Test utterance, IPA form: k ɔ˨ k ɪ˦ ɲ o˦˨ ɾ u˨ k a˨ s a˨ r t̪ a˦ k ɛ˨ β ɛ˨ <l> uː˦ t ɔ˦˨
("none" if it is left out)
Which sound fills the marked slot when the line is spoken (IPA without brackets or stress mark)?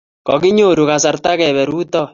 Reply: ɾ